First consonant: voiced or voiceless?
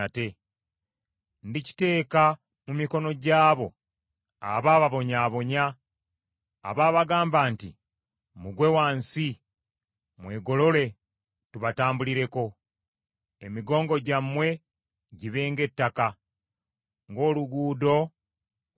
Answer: voiceless